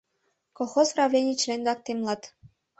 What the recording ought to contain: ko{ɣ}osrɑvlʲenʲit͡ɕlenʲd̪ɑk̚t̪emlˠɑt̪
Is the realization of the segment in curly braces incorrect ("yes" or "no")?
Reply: yes